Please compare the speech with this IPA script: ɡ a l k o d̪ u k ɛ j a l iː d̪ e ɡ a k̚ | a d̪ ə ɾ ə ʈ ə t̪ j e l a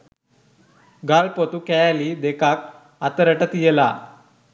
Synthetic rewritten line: ɡ a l p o t̪ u k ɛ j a l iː d̪ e k a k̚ | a t̪ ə ɾ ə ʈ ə t̪ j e l a

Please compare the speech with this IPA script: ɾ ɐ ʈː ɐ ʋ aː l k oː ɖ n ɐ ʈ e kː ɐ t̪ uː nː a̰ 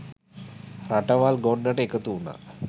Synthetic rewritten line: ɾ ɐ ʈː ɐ ʋ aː l ɡ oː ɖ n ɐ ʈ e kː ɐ t̪ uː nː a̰

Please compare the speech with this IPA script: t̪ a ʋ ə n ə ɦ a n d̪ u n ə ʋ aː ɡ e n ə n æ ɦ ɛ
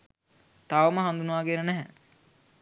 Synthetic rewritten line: t̪ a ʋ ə m ə ɦ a n d̪ u n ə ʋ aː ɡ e n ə n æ ɦ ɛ

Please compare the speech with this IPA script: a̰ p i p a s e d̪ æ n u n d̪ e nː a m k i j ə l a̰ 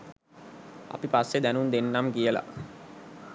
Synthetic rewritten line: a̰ p i p a sː e d̪ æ n u n d̪ e nː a m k i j ə l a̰

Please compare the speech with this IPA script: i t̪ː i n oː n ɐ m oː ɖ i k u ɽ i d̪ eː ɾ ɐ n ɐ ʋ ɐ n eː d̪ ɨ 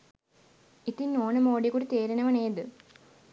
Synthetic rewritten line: i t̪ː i n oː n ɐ m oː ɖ i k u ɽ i t̪ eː ɾ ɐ n ɐ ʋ ɐ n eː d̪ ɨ

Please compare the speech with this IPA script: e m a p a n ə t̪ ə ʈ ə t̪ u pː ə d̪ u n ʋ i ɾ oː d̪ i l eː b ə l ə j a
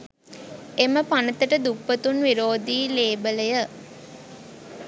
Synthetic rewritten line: e m ə p a n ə t̪ ə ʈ ə d̪ u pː ə t̪ u n ʋ i ɾ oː d̪ iː l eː b ə l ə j ə

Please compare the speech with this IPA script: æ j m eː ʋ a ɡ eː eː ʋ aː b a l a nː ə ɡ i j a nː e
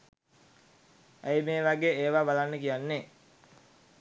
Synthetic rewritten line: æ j m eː ʋ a ɡ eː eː ʋ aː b a l a nː ə k i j a nː e

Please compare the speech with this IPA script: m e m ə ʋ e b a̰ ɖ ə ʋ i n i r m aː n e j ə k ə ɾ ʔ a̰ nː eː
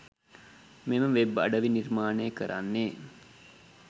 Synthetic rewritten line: m e m ə ʋ e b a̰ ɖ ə ʋ i n i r m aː n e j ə k ə ɾ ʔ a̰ nː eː

